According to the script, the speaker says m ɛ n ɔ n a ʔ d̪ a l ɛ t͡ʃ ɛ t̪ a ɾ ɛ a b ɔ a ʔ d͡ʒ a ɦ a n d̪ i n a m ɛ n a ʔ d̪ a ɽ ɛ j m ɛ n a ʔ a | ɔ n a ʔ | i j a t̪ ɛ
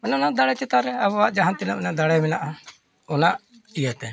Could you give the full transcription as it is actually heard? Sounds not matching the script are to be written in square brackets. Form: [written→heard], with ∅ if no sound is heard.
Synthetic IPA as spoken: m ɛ n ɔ n a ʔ d̪ a [l→ɽ] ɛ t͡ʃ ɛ t̪ a ɾ ɛ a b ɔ a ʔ d͡ʒ a ɦ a n [d̪→t̪] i n a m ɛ n a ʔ d̪ a ɽ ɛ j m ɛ n a ʔ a | ɔ n a ʔ | i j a t̪ ɛ